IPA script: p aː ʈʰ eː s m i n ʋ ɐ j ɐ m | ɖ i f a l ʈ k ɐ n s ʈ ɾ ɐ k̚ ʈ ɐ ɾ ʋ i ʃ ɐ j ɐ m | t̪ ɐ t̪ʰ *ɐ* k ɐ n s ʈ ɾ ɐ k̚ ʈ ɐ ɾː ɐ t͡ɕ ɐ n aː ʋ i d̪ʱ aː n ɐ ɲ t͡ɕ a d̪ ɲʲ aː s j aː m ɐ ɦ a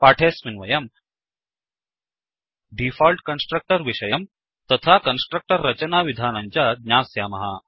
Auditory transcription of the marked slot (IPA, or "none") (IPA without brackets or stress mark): a